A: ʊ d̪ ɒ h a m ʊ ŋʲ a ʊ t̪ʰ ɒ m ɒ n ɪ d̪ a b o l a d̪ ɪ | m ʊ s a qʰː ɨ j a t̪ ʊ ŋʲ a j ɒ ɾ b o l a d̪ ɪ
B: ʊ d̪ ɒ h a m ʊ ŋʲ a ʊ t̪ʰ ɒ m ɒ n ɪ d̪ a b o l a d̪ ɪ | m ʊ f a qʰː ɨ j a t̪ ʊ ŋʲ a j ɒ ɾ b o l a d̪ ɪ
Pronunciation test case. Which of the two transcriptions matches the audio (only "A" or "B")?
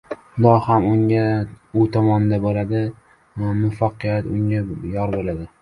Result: B